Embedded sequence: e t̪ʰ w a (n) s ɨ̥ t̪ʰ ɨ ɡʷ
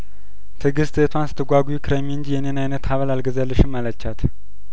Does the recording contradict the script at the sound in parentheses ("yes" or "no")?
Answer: no